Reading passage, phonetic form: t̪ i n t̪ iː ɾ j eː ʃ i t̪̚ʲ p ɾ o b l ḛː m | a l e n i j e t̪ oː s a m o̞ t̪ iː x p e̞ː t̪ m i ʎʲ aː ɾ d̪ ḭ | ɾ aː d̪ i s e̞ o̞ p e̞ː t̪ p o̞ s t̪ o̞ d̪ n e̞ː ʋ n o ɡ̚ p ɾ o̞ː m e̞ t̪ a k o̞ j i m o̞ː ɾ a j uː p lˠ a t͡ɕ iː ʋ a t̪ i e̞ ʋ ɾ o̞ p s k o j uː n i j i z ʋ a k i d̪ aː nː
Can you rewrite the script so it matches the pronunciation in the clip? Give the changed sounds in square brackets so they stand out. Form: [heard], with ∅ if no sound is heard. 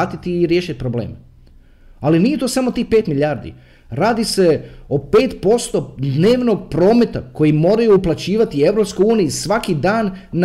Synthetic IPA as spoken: t̪ i [∅] t̪ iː ɾ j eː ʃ i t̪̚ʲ p ɾ o b l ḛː m | a l [i] n i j e t̪ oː s a m o̞ t̪ iː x p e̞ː t̪ m i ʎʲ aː ɾ d̪ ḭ | ɾ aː d̪ i s e̞ o̞ p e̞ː t̪ p o̞ s t̪ o̞ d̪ n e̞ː ʋ n o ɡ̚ p ɾ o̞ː m e̞ t̪ a k o̞ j i m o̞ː ɾ a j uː p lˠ a t͡ɕ iː ʋ a t̪ i e̞ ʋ ɾ o̞ p s k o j uː n i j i [s] ʋ a k i d̪ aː nː